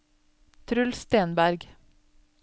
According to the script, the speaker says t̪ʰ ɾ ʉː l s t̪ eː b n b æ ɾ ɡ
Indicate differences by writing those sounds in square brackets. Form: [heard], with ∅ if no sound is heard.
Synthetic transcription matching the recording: t̪ʰ ɾ [ʉ] l s t̪ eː [∅] n b æ ɾ ɡ